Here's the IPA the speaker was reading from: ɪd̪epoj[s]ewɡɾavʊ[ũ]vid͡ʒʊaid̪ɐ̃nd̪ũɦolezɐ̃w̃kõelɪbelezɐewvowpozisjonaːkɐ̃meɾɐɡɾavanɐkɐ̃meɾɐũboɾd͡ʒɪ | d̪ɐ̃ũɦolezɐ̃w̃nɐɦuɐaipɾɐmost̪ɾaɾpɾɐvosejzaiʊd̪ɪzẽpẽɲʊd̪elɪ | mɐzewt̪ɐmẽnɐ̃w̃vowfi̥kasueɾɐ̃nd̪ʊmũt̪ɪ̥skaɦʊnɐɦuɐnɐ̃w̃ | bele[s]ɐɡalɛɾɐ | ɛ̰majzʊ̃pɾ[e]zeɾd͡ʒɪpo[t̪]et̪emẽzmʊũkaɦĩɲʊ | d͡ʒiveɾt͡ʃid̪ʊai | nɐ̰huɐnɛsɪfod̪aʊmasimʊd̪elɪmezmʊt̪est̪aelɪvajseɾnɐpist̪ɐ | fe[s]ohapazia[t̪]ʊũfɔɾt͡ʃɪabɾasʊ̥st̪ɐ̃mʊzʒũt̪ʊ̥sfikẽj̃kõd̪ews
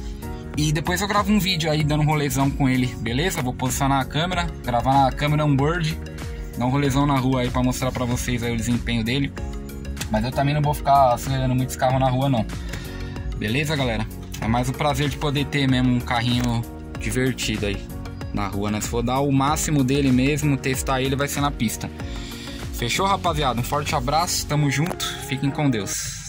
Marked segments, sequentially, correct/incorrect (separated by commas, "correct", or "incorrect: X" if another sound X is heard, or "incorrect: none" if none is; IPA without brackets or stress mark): incorrect: z, correct, incorrect: z, incorrect: a, incorrect: d̪, incorrect: ʃ, incorrect: d̪